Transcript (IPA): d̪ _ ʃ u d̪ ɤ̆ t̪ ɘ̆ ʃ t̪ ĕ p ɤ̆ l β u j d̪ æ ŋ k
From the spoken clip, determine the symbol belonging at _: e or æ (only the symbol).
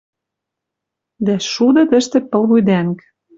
æ